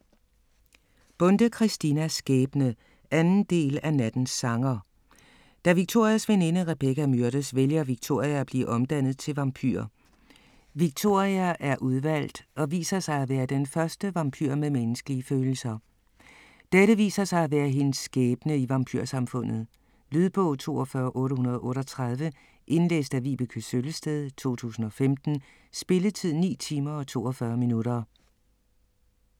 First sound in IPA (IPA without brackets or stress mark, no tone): b̥